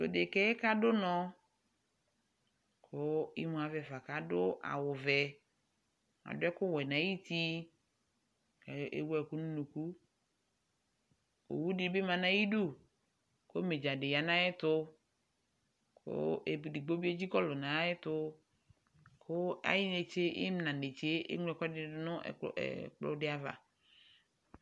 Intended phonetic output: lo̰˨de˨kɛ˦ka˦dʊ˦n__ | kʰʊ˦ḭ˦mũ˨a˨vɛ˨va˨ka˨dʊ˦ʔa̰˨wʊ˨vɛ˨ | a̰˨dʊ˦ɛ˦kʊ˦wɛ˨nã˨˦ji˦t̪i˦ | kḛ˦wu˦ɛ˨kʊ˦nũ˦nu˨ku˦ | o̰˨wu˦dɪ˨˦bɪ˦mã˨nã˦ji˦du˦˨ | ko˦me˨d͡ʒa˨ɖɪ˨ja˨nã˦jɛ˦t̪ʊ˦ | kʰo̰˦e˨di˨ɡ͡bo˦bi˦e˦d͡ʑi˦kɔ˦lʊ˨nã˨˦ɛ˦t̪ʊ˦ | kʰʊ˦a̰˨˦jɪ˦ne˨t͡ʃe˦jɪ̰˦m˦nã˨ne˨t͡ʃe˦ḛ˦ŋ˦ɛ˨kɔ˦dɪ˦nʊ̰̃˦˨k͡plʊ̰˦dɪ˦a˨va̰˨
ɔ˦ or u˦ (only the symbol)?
ɔ˦